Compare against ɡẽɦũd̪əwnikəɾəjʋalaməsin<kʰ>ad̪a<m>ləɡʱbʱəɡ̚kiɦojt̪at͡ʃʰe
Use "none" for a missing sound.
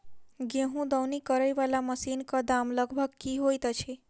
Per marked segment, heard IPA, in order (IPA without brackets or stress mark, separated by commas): k, m